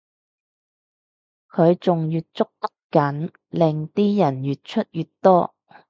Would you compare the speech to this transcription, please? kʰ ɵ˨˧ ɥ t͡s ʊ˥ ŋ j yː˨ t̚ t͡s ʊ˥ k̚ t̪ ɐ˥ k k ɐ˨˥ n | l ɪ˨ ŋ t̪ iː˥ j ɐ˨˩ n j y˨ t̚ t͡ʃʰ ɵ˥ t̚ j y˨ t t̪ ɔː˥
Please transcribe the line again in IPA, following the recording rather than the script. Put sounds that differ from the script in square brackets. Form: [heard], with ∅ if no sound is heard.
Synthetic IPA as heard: kʰ ɵ˨˧ ɥ t͡s [ʊ˨] ŋ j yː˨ t̚ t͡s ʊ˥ k̚ t̪ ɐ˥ k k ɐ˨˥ n | l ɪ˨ ŋ t̪ iː˥ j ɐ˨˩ n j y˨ t̚ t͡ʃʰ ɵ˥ t̚ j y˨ t t̪ ɔː˥